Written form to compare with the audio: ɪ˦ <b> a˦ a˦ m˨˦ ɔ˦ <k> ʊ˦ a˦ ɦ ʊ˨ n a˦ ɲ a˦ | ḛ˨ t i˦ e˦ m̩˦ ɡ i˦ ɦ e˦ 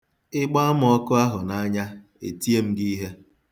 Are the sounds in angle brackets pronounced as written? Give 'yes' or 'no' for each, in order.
no, yes

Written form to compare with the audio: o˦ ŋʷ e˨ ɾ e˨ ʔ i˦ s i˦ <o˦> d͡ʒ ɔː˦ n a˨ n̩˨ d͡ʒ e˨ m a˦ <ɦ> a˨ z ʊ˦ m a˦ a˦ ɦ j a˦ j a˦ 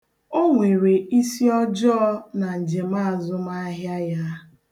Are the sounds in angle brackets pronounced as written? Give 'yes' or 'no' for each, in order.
no, no

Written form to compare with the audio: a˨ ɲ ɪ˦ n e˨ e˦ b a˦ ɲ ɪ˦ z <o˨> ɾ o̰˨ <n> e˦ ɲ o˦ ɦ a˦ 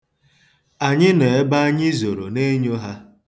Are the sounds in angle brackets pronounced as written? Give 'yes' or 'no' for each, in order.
yes, yes

